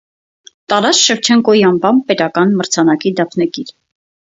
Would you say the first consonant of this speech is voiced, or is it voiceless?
voiceless